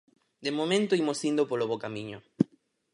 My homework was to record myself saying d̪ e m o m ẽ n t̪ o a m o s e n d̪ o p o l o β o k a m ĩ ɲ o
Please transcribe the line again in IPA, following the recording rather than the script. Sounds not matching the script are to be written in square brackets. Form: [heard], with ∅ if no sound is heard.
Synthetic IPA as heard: d̪ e m o m ẽ n t̪ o [i] m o s [i] n d̪ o p o l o β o k a m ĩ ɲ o